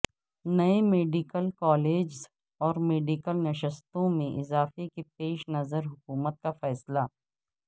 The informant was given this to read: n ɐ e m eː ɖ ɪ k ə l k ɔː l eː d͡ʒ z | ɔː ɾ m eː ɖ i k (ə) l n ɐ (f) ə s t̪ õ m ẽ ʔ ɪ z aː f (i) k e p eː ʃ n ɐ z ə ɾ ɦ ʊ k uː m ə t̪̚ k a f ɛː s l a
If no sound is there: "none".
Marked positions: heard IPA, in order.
ə, ʃ, e

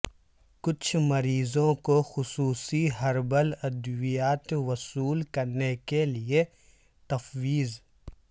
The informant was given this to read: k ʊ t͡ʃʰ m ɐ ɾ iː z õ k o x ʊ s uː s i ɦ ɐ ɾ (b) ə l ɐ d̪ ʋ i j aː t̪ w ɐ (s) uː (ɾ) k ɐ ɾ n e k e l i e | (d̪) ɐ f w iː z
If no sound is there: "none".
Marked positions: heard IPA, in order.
b, s, l, t̪

